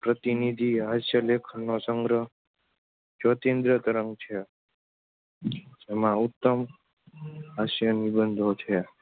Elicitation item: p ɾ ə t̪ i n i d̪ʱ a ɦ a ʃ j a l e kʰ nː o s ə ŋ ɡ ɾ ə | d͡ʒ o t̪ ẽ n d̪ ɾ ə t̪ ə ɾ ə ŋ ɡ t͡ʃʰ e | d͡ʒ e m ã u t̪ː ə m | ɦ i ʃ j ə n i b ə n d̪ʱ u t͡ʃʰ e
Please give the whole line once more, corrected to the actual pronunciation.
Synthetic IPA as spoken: p ɾ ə t̪ i n i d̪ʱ i ɦ a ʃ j ə l e kʰ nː o s ə ŋ ɡ ɾ ə | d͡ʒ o t̪ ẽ n d̪ ɾ ə t̪ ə ɾ ə ŋ ɡ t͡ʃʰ e | d͡ʒ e m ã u t̪ː ə m | ɦ a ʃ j ə n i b ə n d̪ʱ o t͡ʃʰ e